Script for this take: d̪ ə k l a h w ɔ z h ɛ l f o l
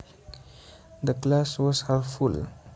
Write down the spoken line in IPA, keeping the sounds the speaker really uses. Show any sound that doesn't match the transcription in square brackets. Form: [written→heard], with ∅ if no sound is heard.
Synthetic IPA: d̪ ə k l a [h→s] w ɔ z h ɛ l f [o→u] l